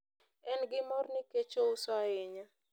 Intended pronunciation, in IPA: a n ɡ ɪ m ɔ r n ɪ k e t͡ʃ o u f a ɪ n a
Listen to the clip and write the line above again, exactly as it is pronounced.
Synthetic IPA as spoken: ɛ n ɡ ɪ m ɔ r n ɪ k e t͡ʃ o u s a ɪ ɲ a